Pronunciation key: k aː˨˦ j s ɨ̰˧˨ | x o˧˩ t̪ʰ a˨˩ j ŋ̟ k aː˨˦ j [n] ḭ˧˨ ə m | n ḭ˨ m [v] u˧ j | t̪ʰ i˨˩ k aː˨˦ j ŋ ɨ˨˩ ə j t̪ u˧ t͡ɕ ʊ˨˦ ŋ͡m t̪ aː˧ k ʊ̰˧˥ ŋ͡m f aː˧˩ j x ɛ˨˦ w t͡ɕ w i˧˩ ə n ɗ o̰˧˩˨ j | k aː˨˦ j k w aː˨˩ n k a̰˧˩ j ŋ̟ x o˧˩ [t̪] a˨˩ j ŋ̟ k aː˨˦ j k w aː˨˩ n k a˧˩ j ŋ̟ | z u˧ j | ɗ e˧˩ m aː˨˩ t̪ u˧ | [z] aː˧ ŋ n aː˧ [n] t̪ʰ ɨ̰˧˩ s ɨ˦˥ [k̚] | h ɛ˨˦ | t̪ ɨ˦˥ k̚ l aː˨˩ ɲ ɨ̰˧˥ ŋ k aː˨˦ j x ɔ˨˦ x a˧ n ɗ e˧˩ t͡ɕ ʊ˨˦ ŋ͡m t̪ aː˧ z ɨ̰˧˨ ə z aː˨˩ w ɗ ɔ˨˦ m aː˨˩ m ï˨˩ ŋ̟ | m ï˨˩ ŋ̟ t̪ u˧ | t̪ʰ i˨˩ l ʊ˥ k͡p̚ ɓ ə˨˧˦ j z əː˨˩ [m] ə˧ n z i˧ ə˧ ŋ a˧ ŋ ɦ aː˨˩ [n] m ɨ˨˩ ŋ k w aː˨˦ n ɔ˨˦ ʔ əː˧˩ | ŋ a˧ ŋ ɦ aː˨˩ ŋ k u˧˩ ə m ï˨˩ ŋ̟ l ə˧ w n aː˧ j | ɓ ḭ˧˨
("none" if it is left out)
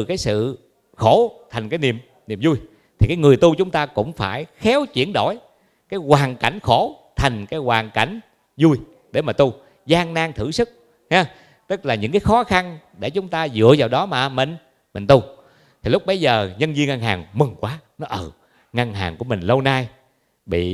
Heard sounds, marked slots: n, z, t̪ʰ, z, ŋ, k̚, ɲ, ŋ

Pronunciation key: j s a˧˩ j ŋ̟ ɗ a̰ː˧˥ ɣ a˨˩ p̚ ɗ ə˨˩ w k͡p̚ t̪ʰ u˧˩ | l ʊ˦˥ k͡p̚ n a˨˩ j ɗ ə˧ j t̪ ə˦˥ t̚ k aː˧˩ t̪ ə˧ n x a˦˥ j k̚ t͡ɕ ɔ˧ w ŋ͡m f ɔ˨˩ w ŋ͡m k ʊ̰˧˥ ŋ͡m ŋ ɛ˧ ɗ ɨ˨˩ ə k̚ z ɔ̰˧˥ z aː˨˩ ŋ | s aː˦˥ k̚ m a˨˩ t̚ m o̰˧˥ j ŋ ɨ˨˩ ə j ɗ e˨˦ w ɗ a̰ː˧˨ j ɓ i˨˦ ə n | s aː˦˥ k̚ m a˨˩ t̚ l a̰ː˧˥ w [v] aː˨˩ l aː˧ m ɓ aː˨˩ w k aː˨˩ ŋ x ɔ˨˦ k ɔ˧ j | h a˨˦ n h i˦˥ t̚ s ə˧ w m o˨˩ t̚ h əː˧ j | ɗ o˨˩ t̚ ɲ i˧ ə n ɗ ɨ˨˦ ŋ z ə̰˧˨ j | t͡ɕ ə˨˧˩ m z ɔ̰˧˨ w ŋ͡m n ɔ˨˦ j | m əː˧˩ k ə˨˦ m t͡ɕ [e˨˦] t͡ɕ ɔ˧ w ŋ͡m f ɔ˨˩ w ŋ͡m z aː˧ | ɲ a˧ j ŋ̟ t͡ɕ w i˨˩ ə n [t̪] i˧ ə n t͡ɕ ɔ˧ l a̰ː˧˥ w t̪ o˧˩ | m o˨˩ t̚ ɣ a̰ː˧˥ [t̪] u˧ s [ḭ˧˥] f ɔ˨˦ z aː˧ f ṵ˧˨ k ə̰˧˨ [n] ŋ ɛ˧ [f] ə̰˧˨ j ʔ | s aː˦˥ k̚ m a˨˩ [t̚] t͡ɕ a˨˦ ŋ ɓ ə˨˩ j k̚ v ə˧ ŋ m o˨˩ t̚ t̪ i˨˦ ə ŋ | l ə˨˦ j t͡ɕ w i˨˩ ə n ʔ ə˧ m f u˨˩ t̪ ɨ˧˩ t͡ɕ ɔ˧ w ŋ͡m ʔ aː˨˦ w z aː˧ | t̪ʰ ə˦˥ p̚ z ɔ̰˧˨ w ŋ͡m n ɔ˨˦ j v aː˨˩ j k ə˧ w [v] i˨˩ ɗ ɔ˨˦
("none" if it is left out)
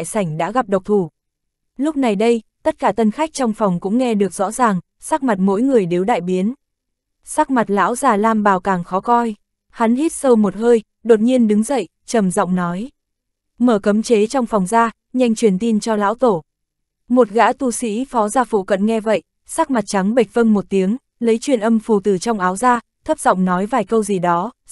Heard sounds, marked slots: z, e˨˦, t̪, t̪, ḭ˧˥, n, v, t̚, z

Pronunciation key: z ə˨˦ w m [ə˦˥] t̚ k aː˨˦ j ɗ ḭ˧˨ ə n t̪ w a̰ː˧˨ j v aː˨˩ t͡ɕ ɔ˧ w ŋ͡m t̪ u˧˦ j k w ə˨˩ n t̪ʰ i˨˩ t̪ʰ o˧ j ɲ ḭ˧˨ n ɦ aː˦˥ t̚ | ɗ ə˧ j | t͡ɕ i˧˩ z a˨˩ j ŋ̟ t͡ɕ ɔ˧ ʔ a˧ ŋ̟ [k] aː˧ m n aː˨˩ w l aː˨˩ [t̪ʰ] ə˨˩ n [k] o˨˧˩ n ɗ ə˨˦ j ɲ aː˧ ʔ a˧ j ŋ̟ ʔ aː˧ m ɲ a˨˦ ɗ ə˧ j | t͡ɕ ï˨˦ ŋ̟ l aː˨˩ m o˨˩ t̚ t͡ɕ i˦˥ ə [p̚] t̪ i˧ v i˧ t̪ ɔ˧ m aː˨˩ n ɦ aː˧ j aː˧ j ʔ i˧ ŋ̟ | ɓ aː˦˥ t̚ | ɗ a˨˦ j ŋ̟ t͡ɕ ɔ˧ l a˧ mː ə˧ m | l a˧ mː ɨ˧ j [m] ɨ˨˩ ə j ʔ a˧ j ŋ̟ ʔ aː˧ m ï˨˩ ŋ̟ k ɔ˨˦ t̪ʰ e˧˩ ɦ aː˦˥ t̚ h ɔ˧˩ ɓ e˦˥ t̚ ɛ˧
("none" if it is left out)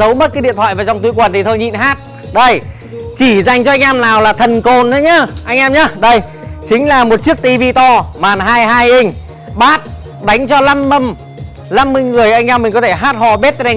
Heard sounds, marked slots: ə˦˥, ʔ, t̪ʰ, k, k̚, ŋ

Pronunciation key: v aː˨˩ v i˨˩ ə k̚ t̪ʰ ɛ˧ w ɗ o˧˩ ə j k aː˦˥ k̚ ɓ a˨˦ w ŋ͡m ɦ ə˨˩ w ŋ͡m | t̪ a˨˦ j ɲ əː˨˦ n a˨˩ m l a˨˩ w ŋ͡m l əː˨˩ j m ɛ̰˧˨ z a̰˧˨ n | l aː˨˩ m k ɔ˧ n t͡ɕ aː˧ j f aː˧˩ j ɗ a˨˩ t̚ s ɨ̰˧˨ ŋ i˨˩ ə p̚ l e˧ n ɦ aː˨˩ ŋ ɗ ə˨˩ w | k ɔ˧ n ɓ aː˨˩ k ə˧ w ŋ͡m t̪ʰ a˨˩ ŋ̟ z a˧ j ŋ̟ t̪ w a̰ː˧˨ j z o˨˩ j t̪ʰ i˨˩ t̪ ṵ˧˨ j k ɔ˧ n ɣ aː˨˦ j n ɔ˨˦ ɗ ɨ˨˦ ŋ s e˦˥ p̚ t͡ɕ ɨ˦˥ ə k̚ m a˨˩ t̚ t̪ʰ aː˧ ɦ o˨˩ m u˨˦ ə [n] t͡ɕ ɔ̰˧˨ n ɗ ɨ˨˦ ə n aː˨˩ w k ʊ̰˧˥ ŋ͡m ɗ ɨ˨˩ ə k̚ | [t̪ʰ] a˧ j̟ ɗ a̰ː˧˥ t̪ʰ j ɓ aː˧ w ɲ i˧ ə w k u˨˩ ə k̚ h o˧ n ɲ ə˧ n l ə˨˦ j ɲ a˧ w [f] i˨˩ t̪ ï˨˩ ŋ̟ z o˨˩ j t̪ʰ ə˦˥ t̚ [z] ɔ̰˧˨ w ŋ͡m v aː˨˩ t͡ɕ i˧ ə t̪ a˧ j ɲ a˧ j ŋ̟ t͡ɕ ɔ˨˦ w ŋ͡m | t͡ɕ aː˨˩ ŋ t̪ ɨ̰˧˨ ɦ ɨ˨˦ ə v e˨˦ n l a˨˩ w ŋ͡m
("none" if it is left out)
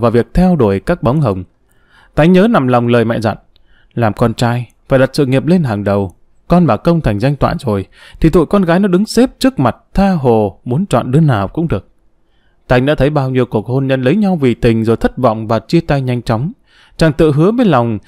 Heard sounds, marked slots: n, t̪, v, v

